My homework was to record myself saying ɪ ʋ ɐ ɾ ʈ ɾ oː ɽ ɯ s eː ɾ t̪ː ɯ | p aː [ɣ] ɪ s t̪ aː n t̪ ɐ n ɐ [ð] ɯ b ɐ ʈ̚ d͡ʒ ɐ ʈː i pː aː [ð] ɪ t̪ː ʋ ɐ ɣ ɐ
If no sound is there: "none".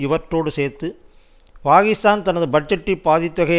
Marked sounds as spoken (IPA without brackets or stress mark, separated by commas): ɣ, ð, ð